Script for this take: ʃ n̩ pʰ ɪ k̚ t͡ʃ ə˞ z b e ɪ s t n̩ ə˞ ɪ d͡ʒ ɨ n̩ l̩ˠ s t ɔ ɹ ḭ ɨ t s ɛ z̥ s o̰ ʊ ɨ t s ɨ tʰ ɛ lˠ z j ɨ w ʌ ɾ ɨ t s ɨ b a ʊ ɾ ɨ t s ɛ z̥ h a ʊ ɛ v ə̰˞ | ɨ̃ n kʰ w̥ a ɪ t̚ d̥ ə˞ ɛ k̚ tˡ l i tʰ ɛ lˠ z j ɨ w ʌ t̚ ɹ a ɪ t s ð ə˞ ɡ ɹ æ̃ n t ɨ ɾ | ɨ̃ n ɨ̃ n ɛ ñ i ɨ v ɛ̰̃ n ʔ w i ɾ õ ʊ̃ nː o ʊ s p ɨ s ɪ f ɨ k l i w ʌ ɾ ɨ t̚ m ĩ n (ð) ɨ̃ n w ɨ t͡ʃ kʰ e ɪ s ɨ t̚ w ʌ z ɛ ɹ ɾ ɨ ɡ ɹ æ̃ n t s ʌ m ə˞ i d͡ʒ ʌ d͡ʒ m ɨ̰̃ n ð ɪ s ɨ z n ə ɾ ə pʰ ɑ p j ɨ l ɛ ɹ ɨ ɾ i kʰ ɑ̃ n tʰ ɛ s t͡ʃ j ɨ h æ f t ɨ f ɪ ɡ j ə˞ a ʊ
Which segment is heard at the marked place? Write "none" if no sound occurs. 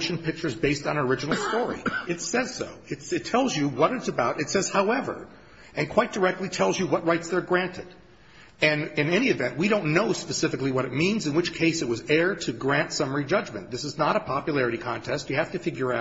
z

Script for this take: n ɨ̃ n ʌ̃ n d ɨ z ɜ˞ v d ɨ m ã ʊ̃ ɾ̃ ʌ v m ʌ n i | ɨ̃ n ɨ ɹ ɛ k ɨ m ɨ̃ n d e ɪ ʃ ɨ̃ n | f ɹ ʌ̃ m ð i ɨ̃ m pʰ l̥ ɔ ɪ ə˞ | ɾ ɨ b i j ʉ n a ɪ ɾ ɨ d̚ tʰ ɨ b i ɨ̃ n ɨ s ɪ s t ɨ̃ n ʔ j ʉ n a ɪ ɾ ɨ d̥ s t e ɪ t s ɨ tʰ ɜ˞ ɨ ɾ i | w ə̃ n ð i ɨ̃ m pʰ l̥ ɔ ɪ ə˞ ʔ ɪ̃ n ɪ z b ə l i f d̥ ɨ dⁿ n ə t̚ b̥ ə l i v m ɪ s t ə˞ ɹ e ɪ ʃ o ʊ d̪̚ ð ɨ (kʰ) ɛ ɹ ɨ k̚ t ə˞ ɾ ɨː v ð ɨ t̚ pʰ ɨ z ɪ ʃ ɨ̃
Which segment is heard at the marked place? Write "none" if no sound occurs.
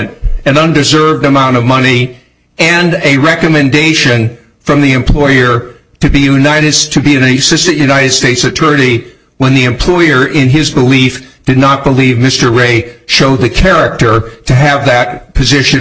kʰ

